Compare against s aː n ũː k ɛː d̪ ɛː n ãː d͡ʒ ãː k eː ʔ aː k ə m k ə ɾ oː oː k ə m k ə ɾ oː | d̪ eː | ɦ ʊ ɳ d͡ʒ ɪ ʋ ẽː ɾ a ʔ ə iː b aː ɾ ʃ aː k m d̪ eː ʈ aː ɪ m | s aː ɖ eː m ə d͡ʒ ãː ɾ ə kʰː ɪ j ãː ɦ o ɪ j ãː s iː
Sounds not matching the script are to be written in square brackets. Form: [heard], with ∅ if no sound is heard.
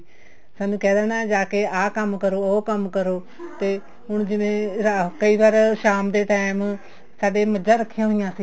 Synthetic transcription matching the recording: s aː n ũː k ɛː d̪ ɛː n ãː d͡ʒ [aː] k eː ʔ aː k ə m k ə ɾ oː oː k ə m k ə ɾ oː | [t̪] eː | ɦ ʊ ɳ d͡ʒ ɪ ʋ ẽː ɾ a [k] ə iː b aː ɾ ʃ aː [∅] m d̪ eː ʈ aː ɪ m | s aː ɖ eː m ə d͡ʒ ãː ɾ ə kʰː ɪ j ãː ɦ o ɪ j ãː s iː